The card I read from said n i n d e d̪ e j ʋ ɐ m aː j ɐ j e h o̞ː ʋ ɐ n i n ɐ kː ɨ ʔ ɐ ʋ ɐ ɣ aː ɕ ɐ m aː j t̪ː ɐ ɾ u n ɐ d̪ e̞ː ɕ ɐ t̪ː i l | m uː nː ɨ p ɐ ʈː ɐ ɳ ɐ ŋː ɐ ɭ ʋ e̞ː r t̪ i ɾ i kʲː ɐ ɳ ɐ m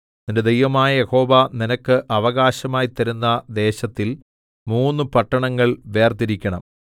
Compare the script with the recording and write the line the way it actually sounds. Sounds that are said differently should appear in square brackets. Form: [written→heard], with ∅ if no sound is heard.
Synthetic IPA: n i n d e d̪ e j ʋ ɐ m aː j ɐ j e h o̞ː ʋ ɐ n i n ɐ kː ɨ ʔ ɐ ʋ ɐ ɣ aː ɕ ɐ m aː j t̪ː ɐ ɾ u [n→nː] ɐ d̪ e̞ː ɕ ɐ t̪ː i l | m uː nː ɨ p ɐ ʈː ɐ ɳ ɐ ŋː ɐ ɭ ʋ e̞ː r t̪ i ɾ i kʲː ɐ ɳ ɐ m